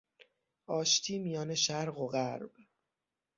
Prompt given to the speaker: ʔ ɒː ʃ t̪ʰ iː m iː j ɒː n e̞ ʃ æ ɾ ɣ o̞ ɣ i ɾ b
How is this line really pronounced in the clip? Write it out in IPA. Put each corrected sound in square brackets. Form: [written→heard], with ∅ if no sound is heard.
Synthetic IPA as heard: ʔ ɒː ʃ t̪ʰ iː m [iː→i] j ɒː n e̞ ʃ æ ɾ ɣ o̞ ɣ [i→æ] ɾ b